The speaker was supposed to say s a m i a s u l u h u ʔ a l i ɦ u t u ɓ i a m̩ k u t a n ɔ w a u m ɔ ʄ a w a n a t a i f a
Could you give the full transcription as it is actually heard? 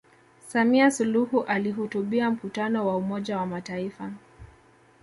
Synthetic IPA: s a m i a s u l u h u ʔ a l i ɦ u t u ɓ i a m̩ k u t a n ɔ w a u m ɔ ʄ a w a m a t a i f a